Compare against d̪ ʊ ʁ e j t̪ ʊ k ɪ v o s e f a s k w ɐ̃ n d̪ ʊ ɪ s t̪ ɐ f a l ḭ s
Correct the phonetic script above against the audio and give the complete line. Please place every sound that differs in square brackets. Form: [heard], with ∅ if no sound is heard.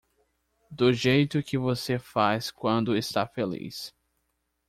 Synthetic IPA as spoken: d̪ ʊ [ʒ] e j t̪ ʊ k ɪ v o s e f a s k w ɐ̃ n d̪ ʊ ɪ s t̪ [a] f [e] l ḭ s